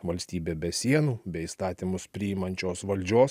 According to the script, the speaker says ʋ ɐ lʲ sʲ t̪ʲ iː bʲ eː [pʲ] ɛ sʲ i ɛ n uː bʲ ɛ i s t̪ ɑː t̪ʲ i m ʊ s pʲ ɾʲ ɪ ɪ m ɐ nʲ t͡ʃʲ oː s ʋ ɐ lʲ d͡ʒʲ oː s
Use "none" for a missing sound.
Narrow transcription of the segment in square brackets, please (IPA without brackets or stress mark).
bʲ